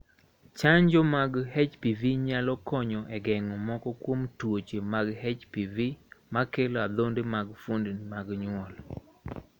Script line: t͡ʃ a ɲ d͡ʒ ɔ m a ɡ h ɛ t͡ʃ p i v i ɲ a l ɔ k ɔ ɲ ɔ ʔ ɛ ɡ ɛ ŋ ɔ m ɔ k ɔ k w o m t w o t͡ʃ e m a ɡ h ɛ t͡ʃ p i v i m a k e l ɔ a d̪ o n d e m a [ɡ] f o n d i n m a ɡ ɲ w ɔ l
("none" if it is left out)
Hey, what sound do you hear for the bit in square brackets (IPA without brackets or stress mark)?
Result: ɡ